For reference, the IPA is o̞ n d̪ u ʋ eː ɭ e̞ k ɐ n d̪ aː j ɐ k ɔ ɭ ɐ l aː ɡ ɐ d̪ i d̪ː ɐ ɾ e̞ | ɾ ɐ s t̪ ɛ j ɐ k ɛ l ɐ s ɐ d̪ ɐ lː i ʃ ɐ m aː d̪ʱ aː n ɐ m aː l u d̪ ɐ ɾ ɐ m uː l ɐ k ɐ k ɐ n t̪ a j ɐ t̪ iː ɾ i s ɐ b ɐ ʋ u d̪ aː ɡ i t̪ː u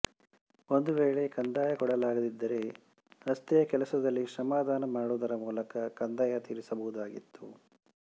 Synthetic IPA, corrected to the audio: o̞ n d̪ u ʋ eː ɭ e̞ k ɐ n d̪ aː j ɐ k ɔ ɽ ɐ l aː ɡ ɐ d̪ i d̪ː ɐ ɾ e̞ | ɾ ɐ s t̪ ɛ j ɐ k ɛ l ɐ s ɐ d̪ ɐ lː i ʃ ɐ m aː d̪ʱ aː n ɐ m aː ɽ u d̪ ɐ ɾ ɐ m uː l ɐ k ɐ k ɐ n d̪ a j ɐ t̪ iː ɾ i s ɐ b ɐ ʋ u d̪ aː ɡ i t̪ː u